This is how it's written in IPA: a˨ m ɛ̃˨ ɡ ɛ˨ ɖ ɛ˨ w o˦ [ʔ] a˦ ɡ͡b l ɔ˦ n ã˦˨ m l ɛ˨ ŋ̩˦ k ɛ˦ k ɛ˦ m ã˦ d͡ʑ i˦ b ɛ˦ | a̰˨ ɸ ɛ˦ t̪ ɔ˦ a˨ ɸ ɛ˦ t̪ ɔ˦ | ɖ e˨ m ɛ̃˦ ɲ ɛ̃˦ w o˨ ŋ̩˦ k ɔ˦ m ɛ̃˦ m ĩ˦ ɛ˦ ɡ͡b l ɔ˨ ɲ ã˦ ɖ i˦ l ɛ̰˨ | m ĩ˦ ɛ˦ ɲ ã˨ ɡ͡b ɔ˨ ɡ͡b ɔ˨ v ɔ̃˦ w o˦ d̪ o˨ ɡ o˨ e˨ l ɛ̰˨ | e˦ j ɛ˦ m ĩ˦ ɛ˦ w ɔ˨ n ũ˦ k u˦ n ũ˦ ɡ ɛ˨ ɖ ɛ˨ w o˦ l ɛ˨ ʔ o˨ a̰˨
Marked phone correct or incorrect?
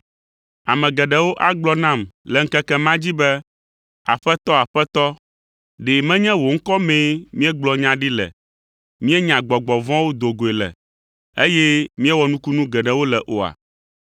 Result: correct